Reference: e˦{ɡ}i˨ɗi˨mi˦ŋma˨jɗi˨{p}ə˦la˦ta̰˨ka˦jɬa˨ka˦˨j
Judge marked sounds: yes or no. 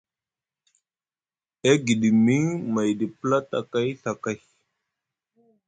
yes, yes

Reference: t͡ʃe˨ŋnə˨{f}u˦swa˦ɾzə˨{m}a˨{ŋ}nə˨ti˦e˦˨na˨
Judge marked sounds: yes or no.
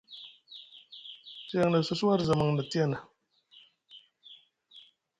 no, yes, yes

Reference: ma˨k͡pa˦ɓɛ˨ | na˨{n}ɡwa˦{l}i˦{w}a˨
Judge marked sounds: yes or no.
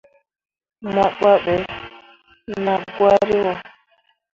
no, no, yes

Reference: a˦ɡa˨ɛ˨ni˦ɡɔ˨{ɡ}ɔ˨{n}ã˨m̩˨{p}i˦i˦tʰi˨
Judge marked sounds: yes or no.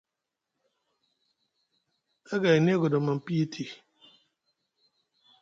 no, no, yes

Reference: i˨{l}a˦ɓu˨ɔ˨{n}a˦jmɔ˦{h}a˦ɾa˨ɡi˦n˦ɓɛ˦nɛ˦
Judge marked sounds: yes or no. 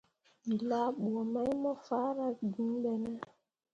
yes, no, no

